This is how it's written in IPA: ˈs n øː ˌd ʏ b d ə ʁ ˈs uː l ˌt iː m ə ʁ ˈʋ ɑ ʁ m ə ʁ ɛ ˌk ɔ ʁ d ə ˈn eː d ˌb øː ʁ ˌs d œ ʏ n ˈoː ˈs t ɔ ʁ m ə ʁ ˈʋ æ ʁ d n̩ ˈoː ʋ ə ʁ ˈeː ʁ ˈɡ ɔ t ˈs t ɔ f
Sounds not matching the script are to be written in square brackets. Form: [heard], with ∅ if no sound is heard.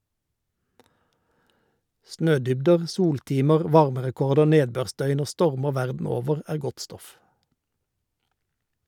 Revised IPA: ˈs n øː ˌd ʏ b d ə ʁ ˈs uː l ˌt iː m ə ʁ ˈʋ ɑ ʁ m ə ʁ ɛ ˌk ɔ ʁ d ə ˈn eː d ˌb øː ʁ ˌs d œ ʏ n ˈoː ˈs t ɔ ʁ m ə ʁ ˈʋ æ ʁ d n̩ ˈoː ʋ ə ʁ [ˈæː] ʁ ˈɡ ɔ t ˈs t ɔ f